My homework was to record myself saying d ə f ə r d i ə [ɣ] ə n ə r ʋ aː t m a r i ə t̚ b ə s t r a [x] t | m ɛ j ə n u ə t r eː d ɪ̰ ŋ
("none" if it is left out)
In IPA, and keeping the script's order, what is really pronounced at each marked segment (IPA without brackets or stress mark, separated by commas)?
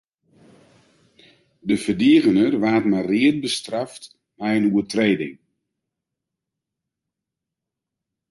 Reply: ɣ, f